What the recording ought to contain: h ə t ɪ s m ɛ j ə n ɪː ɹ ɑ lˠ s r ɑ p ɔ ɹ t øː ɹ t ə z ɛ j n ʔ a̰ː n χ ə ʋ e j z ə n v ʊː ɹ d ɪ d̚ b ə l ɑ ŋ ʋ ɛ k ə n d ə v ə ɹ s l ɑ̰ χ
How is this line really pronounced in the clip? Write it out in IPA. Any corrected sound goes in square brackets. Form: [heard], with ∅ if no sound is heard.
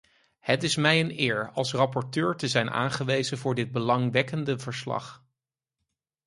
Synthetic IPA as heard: h ə t ɪ s m ɛ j ə n ɪː ɹ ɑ lˠ s r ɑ p ɔ ɹ t øː ɹ t ə z ɛ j n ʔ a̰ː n χ ə ʋ e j z ə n v ʊː ɹ d ɪ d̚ b ə l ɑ ŋ ʋ ɛ k ə n d ə v ə ɹ s l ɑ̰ χ